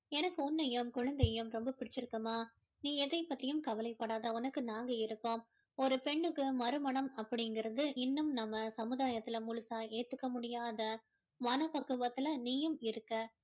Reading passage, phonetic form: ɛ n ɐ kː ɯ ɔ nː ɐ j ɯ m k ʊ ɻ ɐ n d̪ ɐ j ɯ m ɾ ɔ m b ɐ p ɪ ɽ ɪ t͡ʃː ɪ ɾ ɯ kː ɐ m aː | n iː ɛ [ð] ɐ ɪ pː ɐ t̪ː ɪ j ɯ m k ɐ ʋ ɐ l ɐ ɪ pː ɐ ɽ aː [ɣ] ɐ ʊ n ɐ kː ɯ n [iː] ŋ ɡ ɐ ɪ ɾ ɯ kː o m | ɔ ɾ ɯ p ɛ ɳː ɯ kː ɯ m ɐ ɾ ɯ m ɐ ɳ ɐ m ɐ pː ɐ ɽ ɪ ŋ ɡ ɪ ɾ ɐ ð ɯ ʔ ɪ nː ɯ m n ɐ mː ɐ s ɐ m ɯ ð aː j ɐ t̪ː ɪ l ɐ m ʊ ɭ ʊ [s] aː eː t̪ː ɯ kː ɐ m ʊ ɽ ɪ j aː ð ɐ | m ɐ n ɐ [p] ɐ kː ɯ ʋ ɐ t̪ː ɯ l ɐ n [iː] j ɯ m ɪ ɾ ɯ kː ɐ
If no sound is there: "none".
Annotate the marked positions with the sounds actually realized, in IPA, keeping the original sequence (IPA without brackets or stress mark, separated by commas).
ð, ð, aː, s, p, iː